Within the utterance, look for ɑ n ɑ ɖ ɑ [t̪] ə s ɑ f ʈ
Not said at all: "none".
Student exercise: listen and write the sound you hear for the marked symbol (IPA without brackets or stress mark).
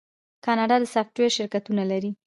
d̪